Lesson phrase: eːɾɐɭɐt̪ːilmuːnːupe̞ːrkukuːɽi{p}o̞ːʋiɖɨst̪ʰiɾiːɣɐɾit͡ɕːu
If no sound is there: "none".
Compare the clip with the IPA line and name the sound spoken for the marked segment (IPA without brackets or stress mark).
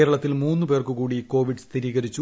k